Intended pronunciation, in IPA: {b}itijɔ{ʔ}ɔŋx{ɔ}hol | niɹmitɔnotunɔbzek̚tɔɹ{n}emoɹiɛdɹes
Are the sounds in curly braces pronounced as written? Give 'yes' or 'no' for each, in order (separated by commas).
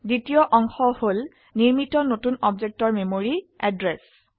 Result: no, yes, yes, no